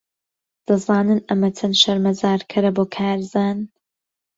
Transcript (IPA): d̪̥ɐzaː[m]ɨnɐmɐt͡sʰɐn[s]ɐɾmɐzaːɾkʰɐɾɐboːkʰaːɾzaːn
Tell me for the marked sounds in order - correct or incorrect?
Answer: incorrect, incorrect

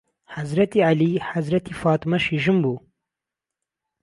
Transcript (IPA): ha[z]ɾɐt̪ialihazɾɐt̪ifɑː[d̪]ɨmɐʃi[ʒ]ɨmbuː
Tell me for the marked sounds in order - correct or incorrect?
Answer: correct, incorrect, correct

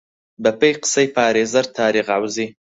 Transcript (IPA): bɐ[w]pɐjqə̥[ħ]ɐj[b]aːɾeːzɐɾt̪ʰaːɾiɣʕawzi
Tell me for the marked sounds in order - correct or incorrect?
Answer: incorrect, incorrect, incorrect

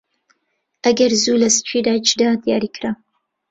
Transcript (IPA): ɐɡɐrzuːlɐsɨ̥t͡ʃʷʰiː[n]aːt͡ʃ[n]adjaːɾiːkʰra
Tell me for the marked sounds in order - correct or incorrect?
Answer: incorrect, incorrect

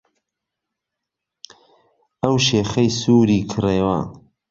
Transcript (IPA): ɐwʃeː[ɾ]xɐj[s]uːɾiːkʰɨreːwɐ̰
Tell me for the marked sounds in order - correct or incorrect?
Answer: incorrect, correct

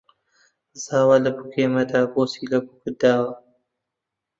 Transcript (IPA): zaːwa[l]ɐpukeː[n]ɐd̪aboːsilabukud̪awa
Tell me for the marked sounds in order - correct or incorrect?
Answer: correct, incorrect

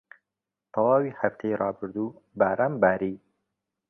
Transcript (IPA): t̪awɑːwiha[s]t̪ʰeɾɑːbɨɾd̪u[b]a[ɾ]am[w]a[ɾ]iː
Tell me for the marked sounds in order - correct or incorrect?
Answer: incorrect, correct, correct, incorrect, correct

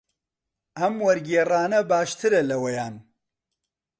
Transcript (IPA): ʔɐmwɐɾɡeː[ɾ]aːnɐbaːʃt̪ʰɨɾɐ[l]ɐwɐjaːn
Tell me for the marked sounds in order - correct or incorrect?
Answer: incorrect, correct

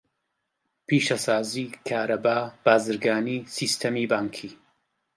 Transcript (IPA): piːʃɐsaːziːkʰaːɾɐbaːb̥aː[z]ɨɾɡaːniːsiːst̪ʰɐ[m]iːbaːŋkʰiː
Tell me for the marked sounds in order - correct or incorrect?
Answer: correct, correct

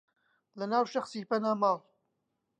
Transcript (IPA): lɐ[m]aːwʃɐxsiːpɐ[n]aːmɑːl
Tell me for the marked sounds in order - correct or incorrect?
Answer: incorrect, correct

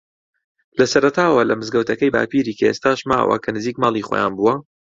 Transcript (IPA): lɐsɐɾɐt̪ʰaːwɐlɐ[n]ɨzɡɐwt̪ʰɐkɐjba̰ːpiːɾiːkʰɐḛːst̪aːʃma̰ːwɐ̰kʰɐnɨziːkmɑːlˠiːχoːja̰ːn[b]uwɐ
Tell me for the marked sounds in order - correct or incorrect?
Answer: incorrect, correct

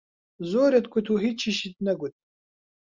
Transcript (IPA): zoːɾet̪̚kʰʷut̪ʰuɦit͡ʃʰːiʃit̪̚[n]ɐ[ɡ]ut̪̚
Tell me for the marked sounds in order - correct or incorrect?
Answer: correct, correct

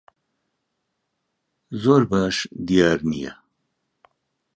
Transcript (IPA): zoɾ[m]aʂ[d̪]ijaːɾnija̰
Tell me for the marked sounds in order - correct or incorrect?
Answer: incorrect, correct

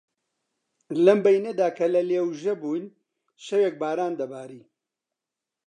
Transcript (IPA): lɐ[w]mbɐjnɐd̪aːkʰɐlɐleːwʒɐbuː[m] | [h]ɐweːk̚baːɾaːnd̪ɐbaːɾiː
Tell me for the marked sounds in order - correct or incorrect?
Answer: incorrect, incorrect, incorrect

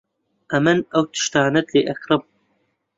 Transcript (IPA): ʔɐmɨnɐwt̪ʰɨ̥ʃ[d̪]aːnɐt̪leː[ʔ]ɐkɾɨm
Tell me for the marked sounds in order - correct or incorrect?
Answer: incorrect, correct

